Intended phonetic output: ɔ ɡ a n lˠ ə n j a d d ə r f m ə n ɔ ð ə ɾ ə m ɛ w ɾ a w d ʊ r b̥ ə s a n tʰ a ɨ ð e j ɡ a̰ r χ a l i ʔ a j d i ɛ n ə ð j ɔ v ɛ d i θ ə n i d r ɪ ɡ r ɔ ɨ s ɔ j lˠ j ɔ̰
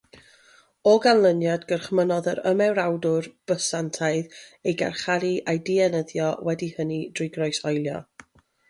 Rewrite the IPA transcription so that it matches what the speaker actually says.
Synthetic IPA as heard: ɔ ɡ a n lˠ ə n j a d ɡ ə r χ m ə n ɔ ð ə ɾ ə m ɛ w ɾ a w d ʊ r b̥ ə s a n tʰ a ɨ ð e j ɡ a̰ r χ a ɾ i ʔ a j d i ɛ n ə ð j ɔ w ɛ d i h ə n i d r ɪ ɡ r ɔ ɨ s ɔ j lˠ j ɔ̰